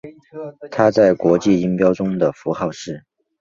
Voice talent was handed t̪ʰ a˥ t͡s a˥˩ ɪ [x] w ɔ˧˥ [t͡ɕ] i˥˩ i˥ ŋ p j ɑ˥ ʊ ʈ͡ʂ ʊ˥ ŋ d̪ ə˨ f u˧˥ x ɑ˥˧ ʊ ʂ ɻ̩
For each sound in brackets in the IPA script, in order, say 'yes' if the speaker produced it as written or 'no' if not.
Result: no, yes

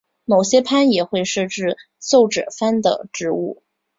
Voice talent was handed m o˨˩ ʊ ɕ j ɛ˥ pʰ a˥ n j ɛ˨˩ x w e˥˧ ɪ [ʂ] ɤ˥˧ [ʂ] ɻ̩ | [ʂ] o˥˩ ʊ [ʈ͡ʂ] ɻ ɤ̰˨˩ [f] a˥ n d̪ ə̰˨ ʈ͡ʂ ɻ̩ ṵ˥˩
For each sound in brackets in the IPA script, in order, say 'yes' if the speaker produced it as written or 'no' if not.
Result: yes, no, no, yes, yes

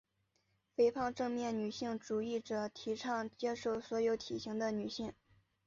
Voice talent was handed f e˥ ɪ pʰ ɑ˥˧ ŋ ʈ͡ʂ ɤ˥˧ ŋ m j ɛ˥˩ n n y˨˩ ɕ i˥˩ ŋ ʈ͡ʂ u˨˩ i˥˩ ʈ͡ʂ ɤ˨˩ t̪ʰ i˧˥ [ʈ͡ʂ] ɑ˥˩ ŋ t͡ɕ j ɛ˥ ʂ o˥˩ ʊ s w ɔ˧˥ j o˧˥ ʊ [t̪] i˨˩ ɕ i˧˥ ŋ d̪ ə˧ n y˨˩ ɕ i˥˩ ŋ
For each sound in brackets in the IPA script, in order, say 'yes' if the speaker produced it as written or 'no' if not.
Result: no, no

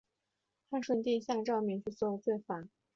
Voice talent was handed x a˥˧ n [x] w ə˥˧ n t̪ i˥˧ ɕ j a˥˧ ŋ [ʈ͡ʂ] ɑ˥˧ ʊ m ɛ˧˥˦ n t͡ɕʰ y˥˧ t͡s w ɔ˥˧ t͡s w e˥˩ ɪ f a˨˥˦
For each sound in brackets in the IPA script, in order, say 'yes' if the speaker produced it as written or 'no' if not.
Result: no, yes

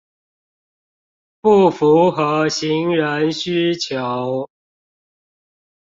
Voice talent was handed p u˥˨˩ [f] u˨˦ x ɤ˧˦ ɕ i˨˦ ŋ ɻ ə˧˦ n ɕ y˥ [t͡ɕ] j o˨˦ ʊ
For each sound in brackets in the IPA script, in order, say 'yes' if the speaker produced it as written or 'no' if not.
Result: yes, no

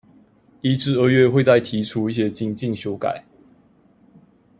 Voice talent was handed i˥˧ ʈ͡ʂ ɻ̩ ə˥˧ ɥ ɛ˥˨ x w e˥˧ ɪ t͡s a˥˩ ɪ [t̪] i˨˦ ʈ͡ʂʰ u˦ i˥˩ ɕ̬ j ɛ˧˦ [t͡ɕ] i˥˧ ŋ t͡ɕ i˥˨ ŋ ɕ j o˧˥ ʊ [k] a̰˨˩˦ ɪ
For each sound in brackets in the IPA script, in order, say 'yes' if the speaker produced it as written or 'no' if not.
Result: no, yes, yes

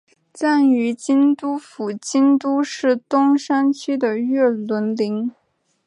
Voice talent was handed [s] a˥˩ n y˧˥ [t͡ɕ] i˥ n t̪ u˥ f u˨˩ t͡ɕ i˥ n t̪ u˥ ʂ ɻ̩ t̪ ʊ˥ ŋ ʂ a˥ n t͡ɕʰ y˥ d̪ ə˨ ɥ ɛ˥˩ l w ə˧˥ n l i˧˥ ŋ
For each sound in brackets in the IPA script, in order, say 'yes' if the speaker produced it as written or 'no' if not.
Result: no, yes

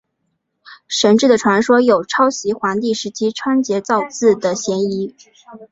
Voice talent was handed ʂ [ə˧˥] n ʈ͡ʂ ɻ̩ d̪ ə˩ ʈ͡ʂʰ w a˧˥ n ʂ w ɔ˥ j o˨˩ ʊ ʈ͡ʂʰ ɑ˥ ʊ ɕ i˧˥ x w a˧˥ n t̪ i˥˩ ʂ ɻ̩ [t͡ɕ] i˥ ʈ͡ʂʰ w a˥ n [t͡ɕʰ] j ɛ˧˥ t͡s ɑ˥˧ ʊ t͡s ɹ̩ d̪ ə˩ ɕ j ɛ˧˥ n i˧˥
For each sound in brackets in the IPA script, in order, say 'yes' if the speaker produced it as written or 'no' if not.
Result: yes, no, no

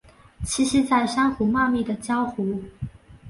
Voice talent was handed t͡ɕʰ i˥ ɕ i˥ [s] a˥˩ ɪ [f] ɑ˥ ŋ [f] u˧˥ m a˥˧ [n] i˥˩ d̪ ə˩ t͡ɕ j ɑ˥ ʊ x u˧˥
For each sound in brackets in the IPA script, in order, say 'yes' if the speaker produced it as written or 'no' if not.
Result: no, no, no, no

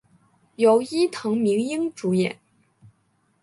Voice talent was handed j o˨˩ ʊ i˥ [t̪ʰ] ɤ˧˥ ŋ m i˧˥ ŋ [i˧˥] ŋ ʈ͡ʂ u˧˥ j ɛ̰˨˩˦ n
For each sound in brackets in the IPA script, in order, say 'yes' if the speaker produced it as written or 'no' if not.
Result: yes, no

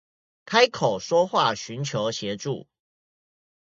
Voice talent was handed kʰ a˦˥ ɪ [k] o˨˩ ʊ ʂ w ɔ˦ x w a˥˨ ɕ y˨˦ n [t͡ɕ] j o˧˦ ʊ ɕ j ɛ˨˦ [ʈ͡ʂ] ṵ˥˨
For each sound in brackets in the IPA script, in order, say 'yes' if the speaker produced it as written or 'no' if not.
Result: no, no, yes

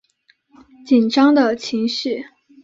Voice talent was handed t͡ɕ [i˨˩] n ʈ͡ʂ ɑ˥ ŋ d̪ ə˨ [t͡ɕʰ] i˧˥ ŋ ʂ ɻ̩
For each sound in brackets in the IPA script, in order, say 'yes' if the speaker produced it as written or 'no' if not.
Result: yes, yes

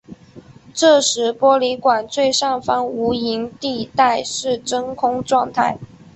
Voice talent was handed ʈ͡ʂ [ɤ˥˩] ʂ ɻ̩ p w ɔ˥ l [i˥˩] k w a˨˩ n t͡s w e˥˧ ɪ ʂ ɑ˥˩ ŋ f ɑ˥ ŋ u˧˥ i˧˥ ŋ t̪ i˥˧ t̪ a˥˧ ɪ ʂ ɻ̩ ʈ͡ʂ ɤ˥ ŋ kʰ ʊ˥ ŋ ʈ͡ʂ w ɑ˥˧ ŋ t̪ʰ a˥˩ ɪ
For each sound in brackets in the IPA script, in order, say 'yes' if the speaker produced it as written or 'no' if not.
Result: yes, no

